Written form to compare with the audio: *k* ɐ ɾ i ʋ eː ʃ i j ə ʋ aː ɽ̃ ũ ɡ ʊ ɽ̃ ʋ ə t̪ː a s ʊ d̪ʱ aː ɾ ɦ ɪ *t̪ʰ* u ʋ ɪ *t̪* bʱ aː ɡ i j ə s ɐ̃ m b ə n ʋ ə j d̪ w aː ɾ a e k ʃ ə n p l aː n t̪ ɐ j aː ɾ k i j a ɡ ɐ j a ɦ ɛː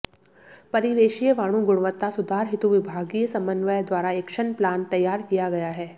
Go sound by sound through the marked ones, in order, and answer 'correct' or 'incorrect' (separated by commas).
incorrect, incorrect, incorrect